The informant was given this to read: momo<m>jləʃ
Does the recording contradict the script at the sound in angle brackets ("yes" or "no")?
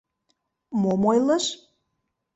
yes